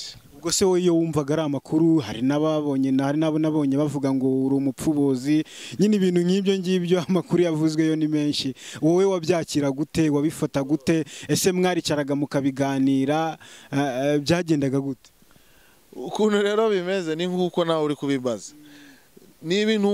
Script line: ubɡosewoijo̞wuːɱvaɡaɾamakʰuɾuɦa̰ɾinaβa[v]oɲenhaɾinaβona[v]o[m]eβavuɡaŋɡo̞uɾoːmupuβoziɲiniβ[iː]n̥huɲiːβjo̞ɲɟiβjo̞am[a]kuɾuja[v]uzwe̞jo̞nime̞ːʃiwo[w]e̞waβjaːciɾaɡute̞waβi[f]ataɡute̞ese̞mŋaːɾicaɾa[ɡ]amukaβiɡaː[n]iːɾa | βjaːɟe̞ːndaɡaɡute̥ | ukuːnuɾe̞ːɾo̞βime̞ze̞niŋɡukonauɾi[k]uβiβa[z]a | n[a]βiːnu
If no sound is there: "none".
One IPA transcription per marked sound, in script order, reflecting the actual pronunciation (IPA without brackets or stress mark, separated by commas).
β, β, ɲ, iː, a, v, w, f, ɡ, n, k, z, i